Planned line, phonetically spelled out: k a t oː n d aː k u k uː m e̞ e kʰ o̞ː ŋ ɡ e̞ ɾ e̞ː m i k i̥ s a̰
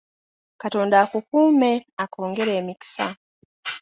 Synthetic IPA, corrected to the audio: k a t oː n d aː k u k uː m e̞ a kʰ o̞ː ŋ ɡ e̞ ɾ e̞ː m i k i̥ s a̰